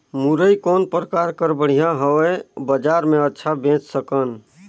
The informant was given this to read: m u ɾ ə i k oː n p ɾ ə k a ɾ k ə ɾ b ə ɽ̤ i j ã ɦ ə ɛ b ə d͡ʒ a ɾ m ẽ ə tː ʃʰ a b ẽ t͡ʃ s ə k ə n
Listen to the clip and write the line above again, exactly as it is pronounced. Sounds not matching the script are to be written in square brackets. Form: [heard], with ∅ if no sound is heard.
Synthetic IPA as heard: m u ɾ ə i k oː n p ɾ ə k a ɾ k ə ɾ b ə ɽ̤ i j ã ɦ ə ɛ b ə d͡ʒ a ɾ m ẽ ə tː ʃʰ a b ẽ t͡ʃ s ə k ə n

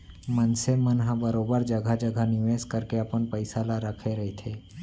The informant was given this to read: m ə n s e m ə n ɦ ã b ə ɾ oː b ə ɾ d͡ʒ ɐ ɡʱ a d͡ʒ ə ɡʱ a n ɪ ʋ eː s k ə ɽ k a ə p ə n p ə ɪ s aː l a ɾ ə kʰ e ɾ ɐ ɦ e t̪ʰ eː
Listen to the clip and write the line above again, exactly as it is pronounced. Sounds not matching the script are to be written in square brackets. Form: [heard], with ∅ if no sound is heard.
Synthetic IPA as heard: m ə n s e m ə n ɦ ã b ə ɾ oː b ə ɾ d͡ʒ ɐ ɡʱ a d͡ʒ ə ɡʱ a n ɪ ʋ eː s k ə [ɾ] k [e] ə p ə n p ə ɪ s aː l a ɾ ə kʰ e ɾ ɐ ɦ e t̪ʰ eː

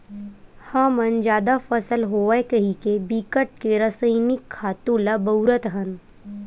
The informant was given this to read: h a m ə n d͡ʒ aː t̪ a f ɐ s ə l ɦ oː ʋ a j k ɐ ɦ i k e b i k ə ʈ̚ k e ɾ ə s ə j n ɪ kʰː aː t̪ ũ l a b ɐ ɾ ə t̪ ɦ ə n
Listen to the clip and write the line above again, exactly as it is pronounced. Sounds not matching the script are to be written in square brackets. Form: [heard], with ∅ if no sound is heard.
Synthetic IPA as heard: h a m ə n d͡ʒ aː [d̪] a f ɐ s ə l ɦ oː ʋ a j k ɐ ɦ i k e b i k ə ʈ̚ k e ɾ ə s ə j n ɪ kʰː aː t̪ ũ l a b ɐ ɾ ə t̪ ɦ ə n

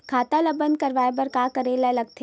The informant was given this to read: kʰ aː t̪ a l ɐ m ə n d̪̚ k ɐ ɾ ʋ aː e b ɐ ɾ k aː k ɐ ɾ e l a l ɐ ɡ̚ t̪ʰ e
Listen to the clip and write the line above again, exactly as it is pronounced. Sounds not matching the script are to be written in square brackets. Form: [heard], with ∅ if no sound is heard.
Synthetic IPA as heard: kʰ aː t̪ a l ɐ [b] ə n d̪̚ k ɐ ɾ ʋ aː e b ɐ ɾ k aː k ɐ ɾ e l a l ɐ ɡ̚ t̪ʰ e

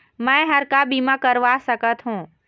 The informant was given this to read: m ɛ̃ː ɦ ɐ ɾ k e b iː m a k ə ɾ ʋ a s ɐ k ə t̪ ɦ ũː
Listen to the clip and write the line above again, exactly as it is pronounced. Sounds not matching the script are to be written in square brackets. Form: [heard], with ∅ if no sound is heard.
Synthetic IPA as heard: m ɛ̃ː ɦ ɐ ɾ k [a] b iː m a k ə ɾ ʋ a s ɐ k ə t̪ ɦ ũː

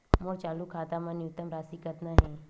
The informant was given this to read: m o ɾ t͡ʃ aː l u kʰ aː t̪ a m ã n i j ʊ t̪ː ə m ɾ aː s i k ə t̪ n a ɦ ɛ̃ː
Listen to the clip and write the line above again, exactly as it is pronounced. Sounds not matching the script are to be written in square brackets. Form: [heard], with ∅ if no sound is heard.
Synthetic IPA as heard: m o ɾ t͡ʃ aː l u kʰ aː t̪ a m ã n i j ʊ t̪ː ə m ɾ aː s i k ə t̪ n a ɦ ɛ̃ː

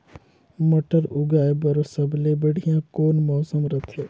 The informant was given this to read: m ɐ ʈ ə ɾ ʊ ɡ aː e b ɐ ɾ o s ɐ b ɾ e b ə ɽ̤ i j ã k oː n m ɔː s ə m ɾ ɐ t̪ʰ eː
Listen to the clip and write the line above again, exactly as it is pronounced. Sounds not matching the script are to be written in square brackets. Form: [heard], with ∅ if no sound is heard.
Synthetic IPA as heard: m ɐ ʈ ə ɾ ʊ ɡ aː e b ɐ ɾ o s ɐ b [l] e b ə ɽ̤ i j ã k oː n m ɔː s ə m ɾ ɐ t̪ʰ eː

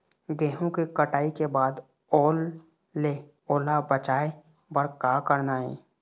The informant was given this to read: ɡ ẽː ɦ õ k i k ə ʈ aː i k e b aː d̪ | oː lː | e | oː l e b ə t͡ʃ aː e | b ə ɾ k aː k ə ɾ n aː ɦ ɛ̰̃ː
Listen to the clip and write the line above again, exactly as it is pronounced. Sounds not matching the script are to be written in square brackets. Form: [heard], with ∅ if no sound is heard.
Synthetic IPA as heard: ɡ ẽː ɦ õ k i k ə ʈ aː i k e b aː d̪ | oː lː | e | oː l [a] b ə t͡ʃ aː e | b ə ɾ k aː k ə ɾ n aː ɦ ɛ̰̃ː

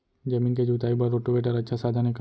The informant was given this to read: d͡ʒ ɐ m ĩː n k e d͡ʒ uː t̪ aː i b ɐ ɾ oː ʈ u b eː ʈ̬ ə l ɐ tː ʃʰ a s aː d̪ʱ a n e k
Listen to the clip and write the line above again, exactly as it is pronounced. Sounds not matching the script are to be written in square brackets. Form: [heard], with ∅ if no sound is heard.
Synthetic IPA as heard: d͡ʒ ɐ m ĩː n k e d͡ʒ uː t̪ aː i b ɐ ɾ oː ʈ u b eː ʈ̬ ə [ɾ] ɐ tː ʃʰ a s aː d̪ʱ a n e k

